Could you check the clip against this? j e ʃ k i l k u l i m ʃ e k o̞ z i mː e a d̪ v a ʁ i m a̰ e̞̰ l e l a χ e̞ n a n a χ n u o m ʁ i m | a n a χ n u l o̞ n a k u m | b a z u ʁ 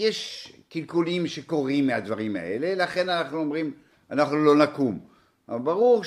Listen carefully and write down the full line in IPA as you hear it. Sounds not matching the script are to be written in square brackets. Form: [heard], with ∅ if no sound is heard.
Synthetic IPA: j e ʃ k i l k u l i m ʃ e k o̞ [ʁ] i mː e a d̪ v a ʁ i m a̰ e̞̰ l e l a χ e̞ n a n a χ n u o m ʁ i m | a n a χ n u l o̞ n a k u m | b a [ʁ] u ʁ